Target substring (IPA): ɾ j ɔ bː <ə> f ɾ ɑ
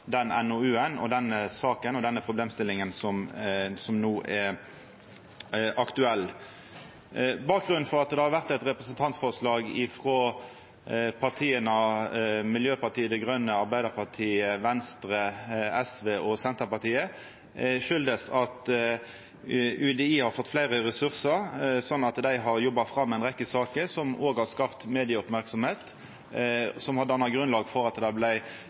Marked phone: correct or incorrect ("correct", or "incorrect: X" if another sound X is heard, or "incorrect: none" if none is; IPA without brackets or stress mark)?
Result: incorrect: ɑ